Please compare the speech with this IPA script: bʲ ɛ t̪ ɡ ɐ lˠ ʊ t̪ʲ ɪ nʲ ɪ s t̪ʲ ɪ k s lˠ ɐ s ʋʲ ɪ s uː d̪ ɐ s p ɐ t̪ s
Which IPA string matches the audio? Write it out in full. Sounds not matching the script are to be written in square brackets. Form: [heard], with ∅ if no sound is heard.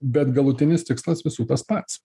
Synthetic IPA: bʲ ɛ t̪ ɡ ɐ lˠ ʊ t̪ʲ ɪ nʲ ɪ s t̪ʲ ɪ k s lˠ ɐ s ʋʲ ɪ s uː [t̪] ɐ s p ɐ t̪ s